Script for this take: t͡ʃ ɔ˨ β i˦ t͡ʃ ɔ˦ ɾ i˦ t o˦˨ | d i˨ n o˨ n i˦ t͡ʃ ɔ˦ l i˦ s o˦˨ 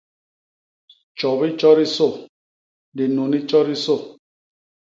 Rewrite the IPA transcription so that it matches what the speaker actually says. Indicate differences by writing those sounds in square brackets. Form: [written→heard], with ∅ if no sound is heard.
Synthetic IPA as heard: t͡ʃ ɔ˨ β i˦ t͡ʃ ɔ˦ ɾ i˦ [t→s] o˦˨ | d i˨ n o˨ n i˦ t͡ʃ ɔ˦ [l→ɾ] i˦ s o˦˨